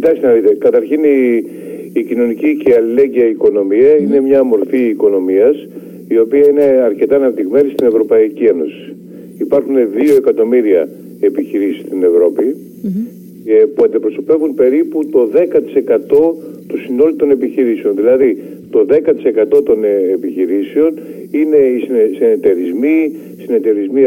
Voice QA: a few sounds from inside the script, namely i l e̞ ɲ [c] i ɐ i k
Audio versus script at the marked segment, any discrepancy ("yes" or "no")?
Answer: yes